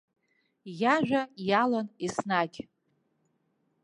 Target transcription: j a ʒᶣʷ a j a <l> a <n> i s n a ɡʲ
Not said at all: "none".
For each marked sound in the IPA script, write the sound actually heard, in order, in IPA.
l, n

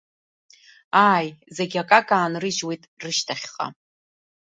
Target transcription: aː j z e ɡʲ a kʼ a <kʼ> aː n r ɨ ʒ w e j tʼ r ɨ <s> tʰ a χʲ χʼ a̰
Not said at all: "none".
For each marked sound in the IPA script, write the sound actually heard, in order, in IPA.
kʼ, ʃ

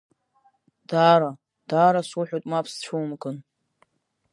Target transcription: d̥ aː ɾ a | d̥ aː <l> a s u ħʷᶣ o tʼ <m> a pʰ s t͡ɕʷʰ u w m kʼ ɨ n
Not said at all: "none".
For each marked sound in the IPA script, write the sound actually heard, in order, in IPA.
ɾ, m

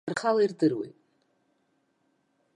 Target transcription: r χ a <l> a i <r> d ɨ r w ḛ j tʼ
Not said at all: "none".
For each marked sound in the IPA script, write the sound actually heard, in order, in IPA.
l, r

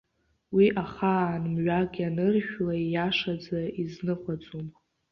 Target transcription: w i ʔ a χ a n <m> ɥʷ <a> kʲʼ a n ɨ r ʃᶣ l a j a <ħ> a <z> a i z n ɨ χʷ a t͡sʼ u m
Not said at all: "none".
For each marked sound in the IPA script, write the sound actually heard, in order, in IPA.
m, a, ʂ, d͡z

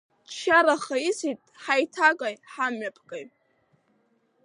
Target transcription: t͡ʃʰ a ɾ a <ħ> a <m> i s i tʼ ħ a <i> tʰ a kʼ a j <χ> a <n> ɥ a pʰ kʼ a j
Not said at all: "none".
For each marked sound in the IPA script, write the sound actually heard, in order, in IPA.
χ, none, j, ħ, m

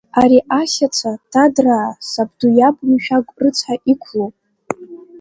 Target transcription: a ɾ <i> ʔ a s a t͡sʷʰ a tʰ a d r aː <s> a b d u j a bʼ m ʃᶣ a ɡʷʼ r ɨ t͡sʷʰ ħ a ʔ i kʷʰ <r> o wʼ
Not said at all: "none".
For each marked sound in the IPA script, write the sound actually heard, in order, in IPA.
i, s, l

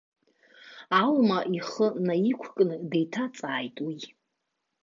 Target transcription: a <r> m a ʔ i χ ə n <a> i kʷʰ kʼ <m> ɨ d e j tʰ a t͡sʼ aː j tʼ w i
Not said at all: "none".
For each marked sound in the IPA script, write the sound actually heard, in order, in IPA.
l, a, n

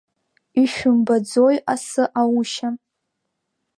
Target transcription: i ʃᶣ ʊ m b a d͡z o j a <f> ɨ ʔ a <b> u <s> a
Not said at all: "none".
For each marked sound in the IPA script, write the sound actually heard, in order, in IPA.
s, w, ʃ

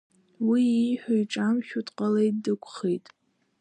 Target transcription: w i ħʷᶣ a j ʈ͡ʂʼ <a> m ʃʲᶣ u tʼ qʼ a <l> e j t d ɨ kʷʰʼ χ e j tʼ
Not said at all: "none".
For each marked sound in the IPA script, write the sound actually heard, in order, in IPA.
a, l

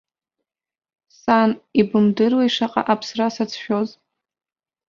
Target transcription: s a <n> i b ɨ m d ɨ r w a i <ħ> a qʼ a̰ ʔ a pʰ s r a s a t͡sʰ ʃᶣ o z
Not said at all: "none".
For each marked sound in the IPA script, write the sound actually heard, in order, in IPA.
n, ʂ

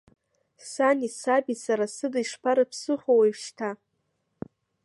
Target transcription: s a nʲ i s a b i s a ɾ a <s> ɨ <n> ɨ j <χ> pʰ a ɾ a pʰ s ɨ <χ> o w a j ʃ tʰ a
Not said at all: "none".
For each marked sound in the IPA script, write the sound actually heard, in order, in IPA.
s, d, ʂ, χ

